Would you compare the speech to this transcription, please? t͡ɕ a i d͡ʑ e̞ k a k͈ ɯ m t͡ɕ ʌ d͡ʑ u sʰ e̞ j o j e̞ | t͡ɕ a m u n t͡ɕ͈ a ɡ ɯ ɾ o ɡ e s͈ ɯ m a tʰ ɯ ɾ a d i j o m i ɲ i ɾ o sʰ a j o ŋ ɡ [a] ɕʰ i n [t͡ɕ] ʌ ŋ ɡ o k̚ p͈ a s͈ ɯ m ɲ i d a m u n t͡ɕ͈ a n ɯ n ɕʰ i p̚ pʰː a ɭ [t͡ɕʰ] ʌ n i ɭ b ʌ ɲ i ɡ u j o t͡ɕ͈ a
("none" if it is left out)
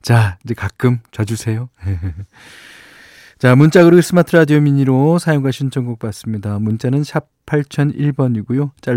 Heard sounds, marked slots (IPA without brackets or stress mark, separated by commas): a, t͡ɕʰ, t͡ɕʰ